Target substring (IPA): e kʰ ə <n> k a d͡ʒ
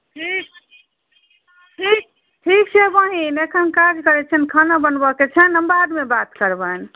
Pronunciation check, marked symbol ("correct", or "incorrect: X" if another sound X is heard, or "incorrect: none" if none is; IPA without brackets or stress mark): correct